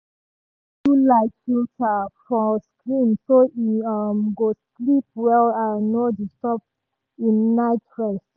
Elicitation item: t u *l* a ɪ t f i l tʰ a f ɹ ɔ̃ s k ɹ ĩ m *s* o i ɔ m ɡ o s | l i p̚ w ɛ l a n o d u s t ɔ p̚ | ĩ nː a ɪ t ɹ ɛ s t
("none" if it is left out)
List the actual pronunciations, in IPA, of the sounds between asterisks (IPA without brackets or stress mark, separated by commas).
l, s